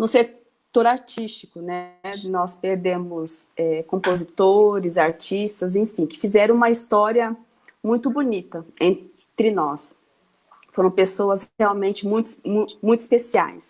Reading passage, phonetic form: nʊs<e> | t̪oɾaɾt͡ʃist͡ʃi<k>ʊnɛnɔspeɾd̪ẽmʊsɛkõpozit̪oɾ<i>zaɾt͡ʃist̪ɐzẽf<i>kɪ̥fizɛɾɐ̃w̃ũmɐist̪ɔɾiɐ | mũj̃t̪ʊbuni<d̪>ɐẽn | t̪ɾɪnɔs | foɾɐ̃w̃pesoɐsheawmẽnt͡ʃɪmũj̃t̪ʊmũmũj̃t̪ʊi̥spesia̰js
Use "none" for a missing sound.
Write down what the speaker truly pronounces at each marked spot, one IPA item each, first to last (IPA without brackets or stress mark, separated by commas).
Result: e, k, ɪ, ĩ, t̪